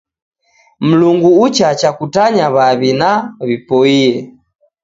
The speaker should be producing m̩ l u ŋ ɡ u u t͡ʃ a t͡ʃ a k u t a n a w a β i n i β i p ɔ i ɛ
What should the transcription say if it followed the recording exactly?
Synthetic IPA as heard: m̩ l u ŋ ɡ u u t͡ʃ a t͡ʃ a k u t a ɲ a β a β i n a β i p ɔ i ɛ